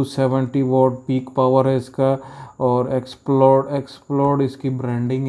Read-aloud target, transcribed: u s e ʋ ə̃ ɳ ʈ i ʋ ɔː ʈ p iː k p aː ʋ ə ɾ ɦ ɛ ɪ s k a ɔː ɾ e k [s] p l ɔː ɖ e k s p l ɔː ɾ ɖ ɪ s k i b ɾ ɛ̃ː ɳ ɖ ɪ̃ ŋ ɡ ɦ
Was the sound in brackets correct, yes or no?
yes